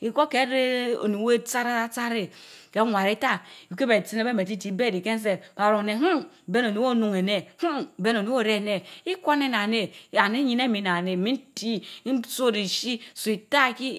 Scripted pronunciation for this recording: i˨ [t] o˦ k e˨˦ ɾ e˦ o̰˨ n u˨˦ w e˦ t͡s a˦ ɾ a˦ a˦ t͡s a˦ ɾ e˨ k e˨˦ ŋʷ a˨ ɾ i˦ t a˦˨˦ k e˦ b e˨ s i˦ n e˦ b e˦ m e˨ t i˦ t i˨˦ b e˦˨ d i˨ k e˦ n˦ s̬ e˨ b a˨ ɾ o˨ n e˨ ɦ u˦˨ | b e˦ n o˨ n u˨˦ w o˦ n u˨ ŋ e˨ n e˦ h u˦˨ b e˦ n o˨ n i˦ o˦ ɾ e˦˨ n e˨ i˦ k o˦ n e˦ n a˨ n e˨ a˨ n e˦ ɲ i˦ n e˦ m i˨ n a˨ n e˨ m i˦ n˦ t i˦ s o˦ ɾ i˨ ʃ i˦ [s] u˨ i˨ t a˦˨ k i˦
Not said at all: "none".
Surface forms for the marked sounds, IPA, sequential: k, s

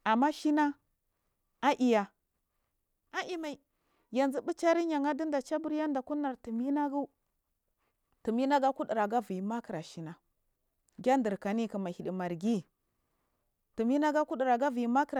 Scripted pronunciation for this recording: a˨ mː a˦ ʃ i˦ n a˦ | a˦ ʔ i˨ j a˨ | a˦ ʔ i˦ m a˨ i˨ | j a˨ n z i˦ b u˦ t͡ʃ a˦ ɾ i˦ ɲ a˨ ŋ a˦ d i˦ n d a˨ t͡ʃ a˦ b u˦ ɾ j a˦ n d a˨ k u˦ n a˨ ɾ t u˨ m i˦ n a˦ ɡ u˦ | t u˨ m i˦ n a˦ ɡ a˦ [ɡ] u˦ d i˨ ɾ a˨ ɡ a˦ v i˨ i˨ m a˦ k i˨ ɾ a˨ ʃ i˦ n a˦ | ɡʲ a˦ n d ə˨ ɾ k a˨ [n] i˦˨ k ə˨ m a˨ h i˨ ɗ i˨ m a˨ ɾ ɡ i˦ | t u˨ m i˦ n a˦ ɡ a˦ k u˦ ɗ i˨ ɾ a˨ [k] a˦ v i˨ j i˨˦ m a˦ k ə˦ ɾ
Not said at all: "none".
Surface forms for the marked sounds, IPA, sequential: k, n, ɡ

